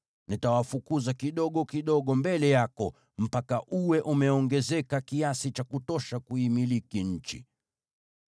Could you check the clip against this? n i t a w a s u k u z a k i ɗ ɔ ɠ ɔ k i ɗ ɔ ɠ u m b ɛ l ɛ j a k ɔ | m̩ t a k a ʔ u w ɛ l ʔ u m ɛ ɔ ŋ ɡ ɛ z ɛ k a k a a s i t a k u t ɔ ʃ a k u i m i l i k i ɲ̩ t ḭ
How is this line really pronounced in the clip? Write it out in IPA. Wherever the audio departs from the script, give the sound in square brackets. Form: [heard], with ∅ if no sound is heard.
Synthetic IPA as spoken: n i t a w a [f] u k u z a k i ɗ ɔ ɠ ɔ k i ɗ ɔ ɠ [ɔ] m b ɛ l ɛ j a k ɔ | m̩ [p] a k a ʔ u w ɛ [∅] ʔ u m ɛ ɔ ŋ ɡ ɛ z ɛ k a k [i] a s i [t͡ʃ] a k u t ɔ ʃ a k u i m i l i k i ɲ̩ [t͡ʃ] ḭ